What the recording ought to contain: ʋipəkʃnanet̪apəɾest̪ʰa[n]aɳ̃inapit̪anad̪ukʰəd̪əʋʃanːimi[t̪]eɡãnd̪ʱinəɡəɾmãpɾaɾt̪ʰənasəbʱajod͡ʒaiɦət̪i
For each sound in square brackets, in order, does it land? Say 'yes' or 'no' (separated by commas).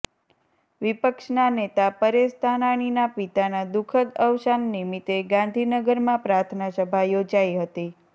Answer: yes, yes